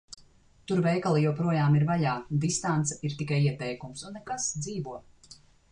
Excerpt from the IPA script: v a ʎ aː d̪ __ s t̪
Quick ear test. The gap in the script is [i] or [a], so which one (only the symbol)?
i